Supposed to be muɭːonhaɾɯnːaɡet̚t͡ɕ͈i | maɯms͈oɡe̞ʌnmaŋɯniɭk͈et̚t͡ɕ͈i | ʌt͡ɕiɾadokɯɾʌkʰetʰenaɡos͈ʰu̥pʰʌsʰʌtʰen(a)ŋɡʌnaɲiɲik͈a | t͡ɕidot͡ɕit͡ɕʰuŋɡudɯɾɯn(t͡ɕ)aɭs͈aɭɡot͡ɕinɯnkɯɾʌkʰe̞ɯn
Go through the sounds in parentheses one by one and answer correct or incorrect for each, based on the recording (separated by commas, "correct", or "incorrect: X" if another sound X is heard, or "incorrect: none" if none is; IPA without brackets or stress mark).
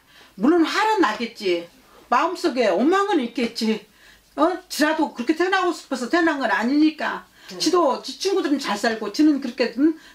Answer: correct, correct